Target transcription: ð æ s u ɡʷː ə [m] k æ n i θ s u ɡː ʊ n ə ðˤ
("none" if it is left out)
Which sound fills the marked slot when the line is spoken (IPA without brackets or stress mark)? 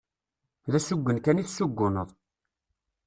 n